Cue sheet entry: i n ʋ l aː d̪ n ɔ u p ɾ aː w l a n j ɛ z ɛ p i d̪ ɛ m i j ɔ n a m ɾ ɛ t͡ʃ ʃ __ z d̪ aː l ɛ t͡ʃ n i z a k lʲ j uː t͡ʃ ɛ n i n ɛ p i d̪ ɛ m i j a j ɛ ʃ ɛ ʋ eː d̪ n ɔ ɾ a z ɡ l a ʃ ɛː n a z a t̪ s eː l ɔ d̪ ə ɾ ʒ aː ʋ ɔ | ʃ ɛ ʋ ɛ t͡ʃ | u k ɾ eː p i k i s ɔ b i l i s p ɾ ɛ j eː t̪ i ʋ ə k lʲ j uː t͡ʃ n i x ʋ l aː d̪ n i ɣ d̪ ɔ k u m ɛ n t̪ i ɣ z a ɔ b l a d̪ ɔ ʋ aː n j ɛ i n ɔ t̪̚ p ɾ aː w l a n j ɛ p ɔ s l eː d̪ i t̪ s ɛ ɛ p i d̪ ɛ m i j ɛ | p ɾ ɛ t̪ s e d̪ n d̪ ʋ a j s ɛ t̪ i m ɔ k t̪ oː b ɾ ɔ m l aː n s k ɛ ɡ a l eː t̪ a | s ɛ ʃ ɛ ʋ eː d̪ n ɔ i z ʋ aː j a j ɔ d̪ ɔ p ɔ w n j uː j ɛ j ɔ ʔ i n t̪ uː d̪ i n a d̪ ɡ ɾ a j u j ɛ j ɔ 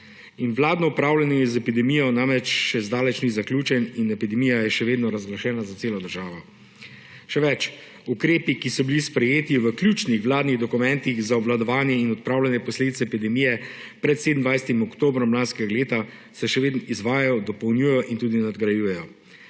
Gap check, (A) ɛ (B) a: A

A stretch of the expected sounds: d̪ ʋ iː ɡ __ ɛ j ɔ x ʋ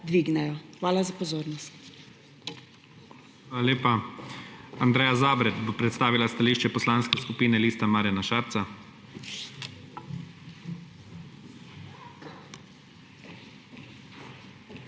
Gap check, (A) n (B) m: A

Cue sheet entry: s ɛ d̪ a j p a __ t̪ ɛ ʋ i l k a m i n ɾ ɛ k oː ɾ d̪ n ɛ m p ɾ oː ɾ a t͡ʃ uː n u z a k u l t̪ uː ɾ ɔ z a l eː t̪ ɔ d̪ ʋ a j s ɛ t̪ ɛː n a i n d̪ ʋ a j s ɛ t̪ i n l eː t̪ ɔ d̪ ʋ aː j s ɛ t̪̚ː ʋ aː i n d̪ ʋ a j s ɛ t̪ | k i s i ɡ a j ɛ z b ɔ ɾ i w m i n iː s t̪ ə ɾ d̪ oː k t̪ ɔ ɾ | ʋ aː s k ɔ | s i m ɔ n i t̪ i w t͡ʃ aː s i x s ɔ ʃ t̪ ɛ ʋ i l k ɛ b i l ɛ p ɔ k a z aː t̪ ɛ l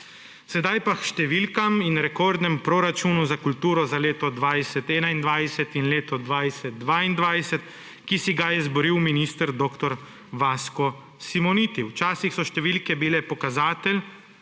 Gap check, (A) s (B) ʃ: B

